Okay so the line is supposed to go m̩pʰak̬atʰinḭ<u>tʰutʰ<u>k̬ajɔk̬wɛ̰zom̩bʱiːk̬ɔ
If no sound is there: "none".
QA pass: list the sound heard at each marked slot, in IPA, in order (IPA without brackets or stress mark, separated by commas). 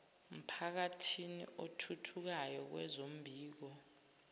o, u